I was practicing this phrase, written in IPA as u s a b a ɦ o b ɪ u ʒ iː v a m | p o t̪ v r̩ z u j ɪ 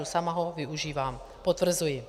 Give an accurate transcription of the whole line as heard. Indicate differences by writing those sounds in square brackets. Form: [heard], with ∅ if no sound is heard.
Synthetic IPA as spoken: u s a [m] a ɦ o [v] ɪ u ʒ iː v a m | p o t̪ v r̩ z u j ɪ